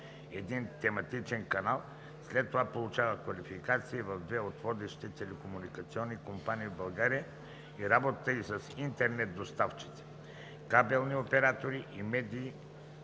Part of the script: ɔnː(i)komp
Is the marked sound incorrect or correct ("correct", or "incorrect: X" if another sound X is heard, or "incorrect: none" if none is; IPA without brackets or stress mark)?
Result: correct